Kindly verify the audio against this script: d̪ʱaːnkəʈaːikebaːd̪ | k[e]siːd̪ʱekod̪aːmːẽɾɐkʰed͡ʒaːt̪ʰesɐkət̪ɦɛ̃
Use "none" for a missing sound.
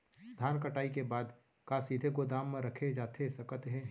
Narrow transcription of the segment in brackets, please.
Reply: a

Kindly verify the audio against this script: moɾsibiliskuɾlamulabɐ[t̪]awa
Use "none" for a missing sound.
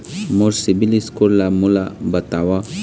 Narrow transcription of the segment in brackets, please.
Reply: t̪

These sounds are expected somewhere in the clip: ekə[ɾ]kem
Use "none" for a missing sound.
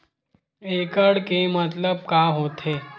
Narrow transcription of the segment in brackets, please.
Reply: ɽ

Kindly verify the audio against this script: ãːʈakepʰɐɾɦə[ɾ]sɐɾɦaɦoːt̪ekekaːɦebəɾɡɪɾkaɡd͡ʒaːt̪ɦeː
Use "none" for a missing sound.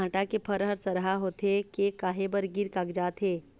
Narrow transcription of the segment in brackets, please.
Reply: ɾ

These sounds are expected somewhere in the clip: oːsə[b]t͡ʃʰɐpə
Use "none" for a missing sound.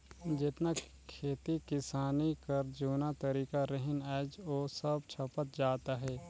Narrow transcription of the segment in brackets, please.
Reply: b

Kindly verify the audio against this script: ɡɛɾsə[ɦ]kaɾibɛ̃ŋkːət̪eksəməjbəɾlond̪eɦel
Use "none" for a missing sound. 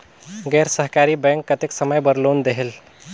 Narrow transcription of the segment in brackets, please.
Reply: ɦ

